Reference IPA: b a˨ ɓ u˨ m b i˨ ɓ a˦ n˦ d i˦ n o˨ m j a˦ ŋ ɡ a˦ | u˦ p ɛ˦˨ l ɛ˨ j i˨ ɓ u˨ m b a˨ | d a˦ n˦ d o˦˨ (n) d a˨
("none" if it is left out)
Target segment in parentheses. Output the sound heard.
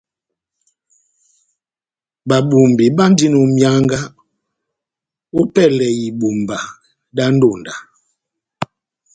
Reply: n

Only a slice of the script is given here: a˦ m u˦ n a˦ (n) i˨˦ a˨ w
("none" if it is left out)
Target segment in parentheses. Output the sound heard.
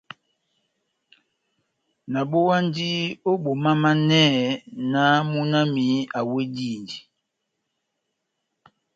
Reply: m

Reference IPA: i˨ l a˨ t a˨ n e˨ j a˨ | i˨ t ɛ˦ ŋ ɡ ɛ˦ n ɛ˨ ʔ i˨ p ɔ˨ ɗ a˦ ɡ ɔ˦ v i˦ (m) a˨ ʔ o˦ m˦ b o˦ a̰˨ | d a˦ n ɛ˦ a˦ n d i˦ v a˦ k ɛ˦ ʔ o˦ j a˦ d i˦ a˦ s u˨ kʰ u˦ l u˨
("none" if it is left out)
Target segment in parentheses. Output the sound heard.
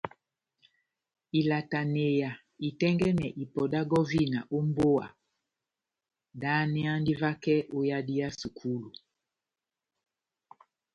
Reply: n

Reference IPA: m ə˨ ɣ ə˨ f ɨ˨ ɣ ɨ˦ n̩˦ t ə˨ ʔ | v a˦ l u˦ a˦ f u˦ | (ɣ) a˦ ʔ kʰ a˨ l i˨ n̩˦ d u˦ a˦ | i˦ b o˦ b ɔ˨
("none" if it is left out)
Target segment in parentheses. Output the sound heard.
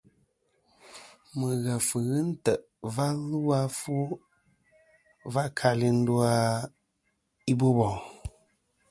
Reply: v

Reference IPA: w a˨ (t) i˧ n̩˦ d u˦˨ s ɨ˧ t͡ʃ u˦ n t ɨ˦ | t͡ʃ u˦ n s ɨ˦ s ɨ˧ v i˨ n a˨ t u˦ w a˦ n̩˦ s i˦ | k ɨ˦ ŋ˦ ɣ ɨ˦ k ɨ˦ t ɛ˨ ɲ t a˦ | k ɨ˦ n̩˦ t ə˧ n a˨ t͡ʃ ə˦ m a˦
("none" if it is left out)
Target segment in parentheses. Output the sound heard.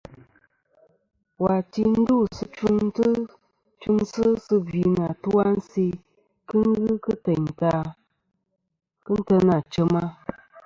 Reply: t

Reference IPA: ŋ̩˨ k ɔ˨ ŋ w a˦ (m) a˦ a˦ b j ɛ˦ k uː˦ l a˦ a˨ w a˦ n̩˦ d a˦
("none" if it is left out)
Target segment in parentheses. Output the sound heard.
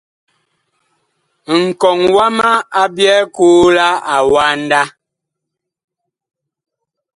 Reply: m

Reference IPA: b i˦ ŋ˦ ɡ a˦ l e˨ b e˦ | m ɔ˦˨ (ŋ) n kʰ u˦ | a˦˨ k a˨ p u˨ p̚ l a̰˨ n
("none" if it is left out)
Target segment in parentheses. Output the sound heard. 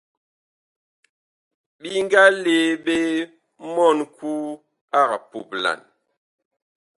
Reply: none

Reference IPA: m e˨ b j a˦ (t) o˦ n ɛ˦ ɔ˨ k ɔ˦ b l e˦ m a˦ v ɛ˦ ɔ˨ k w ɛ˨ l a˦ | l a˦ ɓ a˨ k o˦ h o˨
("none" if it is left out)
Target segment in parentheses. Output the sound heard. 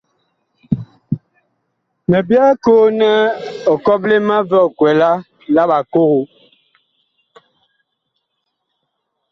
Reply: k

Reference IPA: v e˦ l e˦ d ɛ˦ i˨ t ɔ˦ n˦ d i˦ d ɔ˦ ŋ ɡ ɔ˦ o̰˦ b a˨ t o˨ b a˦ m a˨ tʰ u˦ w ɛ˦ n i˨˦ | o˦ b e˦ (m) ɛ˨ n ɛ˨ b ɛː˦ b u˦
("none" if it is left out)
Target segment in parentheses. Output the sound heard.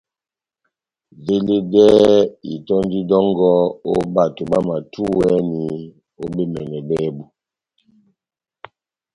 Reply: m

